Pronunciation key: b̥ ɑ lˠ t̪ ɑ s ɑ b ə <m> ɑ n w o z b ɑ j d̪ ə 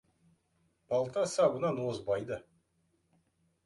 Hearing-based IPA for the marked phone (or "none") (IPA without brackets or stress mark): n